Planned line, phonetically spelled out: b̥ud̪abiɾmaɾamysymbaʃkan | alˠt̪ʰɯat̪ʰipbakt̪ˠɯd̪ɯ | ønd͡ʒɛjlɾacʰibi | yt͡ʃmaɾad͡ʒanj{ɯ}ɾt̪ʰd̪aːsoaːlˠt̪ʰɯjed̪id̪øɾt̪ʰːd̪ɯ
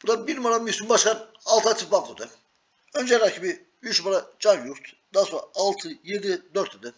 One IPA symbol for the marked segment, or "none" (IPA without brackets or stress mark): u